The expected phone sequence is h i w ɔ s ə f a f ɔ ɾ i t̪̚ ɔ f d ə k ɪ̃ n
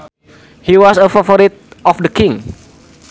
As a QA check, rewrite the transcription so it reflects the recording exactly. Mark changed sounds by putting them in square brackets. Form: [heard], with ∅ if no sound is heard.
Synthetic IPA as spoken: h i w ɔ s ə f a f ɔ ɾ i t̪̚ ɔ f d ə k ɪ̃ [ŋ]